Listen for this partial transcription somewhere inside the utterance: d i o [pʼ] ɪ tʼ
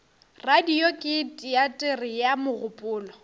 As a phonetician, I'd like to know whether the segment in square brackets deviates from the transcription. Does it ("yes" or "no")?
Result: yes